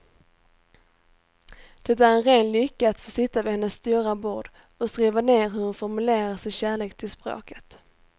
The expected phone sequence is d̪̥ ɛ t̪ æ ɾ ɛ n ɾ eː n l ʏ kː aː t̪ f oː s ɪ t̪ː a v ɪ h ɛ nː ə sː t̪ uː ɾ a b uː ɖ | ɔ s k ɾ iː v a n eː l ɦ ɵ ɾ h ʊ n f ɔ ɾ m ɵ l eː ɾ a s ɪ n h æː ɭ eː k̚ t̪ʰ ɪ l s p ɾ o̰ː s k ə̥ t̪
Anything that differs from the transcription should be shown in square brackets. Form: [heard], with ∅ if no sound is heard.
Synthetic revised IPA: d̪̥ ɛ t̪ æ ɾ ɛ n ɾ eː n l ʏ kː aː t̪ f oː s ɪ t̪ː a v ɪ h ɛ nː ə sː t̪ uː ɾ a b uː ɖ | ɔ s k ɾ iː v a n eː [ɾ] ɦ ɵ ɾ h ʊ n f ɔ ɾ m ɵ l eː ɾ a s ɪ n [ɕ] æː ɭ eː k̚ t̪ʰ ɪ l s p ɾ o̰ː [∅] k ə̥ t̪